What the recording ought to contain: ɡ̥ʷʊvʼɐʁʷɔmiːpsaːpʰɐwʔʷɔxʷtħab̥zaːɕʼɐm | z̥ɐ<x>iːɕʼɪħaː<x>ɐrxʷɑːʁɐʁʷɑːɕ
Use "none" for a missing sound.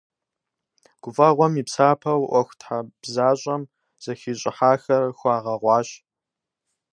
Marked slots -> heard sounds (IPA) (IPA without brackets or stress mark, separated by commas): x, x